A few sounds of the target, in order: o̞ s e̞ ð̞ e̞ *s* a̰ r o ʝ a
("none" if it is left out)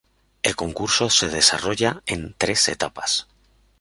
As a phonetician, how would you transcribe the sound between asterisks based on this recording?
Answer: s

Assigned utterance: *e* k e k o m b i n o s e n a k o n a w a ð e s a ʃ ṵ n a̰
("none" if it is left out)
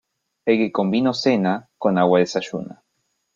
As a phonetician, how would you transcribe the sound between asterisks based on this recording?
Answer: e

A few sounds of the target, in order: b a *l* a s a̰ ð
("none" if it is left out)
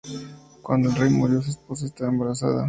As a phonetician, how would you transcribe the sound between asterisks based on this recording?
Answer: ɾ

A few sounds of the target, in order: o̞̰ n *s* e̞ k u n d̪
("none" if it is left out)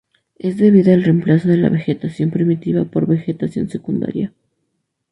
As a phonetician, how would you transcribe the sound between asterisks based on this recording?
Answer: s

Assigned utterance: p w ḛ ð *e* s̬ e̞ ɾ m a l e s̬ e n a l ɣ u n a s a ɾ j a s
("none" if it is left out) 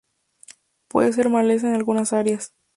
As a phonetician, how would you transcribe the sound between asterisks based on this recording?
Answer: e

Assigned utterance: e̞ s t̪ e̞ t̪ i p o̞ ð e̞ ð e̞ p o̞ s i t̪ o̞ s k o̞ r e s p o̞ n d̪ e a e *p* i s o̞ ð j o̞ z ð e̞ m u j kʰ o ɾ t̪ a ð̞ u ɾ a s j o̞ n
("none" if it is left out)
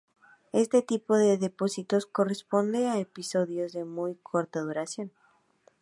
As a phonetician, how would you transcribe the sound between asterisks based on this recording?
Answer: p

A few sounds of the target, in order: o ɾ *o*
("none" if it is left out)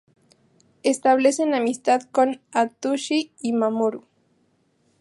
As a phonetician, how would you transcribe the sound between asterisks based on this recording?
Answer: u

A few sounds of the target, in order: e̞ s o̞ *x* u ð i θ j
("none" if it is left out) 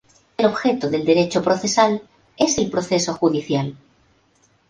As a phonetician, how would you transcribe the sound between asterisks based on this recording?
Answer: x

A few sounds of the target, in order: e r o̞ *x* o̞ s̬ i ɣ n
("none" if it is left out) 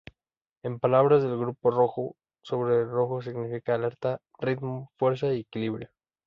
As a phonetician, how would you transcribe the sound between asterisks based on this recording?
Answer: x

